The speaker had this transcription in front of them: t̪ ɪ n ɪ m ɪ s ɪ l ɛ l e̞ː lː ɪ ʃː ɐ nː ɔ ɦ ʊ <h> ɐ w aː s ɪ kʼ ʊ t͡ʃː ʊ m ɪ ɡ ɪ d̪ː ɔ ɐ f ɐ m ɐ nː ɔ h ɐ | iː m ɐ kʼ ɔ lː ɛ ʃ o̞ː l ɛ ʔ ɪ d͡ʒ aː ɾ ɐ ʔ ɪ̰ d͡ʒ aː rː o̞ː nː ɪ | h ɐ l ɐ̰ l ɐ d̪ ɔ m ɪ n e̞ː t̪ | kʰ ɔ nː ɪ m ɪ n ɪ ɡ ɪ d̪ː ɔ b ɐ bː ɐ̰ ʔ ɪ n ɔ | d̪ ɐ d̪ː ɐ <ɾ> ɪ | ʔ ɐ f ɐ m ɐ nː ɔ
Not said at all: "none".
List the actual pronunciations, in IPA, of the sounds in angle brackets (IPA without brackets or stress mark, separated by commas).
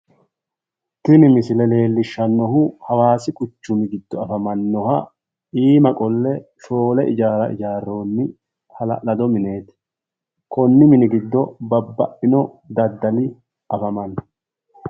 h, l